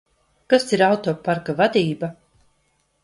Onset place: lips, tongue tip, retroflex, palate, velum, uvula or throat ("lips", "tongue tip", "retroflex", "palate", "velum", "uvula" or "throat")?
velum